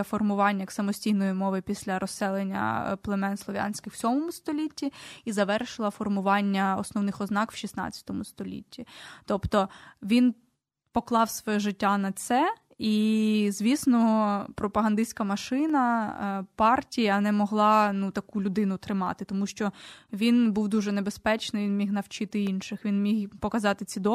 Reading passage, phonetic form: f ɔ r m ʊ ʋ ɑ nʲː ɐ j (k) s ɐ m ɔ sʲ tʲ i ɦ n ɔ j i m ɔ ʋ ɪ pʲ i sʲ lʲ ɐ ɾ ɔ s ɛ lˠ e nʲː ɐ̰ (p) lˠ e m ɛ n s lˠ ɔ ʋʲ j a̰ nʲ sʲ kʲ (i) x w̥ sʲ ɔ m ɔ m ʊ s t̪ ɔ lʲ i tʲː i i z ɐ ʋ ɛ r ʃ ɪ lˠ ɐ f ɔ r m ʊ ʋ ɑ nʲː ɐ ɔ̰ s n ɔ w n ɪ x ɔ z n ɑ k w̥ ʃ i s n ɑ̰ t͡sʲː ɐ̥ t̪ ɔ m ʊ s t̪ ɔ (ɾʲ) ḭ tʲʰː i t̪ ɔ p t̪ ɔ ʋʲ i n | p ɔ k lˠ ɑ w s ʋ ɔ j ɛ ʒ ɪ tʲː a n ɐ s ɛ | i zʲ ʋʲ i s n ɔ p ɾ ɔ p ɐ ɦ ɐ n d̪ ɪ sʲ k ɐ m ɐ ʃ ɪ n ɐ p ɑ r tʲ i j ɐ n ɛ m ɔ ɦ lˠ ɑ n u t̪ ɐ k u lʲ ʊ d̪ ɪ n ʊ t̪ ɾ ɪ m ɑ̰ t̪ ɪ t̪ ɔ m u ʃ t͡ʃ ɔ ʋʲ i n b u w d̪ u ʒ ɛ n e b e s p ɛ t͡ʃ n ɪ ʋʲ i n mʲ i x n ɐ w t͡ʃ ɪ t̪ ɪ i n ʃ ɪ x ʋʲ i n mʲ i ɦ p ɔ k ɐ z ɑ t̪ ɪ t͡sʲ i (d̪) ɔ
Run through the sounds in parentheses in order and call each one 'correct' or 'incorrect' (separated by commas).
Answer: correct, correct, incorrect, incorrect, correct